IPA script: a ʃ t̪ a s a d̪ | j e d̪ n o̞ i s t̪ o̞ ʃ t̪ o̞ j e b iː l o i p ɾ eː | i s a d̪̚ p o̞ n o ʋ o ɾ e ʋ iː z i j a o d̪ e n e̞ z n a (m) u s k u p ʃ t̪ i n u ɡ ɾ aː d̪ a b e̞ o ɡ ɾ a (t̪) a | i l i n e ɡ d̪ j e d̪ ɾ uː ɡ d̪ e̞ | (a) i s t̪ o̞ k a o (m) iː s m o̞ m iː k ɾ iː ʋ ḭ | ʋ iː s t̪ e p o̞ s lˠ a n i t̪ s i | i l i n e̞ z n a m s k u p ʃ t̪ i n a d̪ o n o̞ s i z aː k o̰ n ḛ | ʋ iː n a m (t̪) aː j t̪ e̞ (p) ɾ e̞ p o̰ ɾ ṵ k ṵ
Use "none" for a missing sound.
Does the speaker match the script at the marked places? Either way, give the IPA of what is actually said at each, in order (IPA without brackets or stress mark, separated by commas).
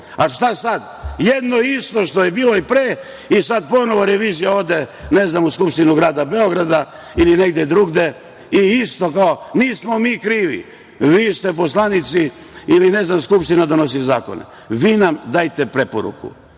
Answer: m, d̪, i, n, d̪, p